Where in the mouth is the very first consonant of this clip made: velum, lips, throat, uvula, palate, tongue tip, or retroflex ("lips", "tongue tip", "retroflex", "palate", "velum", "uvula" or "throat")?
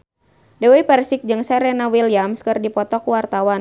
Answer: tongue tip